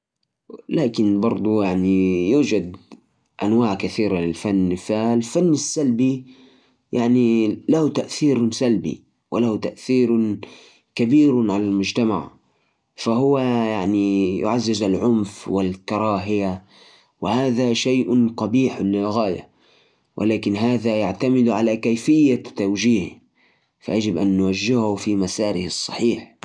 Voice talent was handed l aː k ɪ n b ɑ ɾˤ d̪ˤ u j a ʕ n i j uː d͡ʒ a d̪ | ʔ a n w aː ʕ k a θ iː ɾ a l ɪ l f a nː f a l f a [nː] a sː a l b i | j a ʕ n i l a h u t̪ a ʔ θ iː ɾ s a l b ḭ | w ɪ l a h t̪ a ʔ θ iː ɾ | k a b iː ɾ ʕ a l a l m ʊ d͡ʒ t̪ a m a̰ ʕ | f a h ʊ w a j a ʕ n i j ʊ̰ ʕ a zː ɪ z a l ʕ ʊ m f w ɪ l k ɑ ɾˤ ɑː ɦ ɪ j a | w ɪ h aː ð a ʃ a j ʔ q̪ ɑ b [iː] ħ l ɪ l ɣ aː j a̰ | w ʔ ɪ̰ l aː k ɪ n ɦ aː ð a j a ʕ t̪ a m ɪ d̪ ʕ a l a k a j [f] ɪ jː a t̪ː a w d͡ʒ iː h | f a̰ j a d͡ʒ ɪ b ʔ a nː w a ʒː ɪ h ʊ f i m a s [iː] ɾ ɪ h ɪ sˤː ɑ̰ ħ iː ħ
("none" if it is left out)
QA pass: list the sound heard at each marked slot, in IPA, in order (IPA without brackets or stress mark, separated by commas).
nː, iː, f, aː